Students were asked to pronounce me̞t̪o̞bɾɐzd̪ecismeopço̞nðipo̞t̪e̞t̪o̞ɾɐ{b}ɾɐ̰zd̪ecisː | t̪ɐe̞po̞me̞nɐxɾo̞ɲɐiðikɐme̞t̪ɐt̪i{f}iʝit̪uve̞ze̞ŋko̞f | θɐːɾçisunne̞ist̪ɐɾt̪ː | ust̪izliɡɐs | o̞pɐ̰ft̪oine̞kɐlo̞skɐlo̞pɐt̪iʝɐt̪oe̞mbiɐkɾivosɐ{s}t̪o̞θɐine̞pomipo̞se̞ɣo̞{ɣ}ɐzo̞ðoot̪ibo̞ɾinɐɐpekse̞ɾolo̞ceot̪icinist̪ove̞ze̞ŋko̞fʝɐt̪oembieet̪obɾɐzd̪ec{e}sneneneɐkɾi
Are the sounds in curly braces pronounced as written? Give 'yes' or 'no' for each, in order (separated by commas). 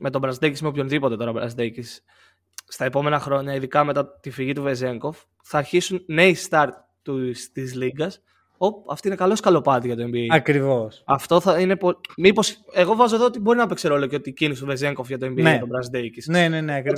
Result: yes, yes, no, no, no